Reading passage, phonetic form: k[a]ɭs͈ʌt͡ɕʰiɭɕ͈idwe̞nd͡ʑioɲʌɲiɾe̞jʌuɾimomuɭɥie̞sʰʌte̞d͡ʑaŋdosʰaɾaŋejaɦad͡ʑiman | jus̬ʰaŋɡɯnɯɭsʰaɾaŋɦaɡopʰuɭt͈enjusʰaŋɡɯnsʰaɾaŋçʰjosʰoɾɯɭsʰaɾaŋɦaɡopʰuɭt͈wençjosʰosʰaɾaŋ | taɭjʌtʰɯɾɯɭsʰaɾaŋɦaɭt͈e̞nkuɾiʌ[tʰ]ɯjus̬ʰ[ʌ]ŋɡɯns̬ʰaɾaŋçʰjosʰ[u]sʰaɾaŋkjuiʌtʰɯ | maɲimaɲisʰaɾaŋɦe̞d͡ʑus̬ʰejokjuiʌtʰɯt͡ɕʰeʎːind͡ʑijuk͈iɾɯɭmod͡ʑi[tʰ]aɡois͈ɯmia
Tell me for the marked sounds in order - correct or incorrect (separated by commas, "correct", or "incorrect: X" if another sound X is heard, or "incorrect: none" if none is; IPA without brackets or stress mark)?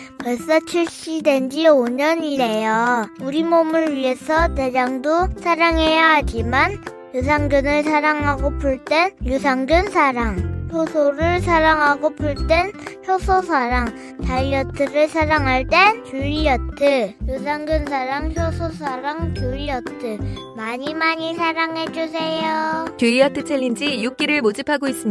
incorrect: ʌ, correct, incorrect: a, incorrect: o, incorrect: pʰ